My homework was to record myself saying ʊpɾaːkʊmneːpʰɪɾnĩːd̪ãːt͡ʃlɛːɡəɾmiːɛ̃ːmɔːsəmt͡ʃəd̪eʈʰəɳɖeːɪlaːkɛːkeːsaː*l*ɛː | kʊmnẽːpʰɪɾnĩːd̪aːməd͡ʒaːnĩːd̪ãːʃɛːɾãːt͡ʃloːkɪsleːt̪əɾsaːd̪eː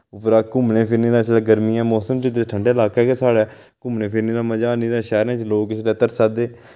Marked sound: incorrect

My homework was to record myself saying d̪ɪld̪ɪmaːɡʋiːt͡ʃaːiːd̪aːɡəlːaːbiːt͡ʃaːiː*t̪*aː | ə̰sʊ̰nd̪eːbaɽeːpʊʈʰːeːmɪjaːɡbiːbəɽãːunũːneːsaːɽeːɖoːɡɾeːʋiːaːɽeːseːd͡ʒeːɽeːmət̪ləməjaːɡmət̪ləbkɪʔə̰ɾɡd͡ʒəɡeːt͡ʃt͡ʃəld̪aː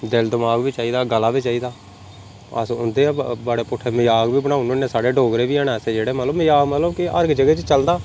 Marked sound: incorrect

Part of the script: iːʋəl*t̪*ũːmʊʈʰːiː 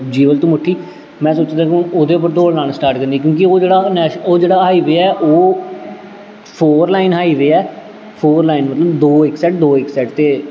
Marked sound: correct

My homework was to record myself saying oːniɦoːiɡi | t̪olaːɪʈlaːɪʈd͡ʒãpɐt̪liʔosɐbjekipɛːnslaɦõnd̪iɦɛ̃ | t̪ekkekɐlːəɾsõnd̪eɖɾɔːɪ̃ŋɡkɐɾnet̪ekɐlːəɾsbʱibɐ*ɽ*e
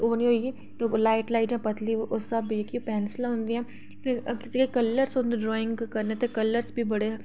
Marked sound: correct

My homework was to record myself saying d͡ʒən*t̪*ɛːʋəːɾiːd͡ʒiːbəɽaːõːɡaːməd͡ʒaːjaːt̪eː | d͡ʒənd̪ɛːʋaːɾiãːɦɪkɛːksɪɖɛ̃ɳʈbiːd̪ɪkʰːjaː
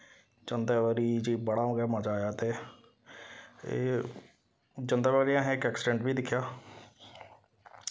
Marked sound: incorrect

